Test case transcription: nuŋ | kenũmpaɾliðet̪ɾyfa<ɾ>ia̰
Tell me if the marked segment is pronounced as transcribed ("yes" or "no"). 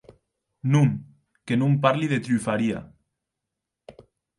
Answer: yes